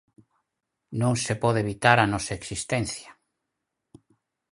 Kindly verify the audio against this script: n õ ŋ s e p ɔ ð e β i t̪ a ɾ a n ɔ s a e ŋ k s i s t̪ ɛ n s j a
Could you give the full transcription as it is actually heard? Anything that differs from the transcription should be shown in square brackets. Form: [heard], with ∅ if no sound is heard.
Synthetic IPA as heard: n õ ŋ s e p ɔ ð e β i t̪ a ɾ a n ɔ s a e [∅] k s i s t̪ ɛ n [θ] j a